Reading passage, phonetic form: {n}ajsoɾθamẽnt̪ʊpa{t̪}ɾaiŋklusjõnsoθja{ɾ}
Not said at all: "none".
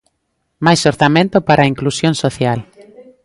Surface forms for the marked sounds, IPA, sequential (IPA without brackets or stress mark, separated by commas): m, none, l